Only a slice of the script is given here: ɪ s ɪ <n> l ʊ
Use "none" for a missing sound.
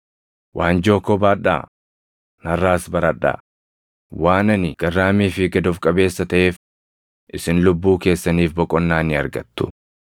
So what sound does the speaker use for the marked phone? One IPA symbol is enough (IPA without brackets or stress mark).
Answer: n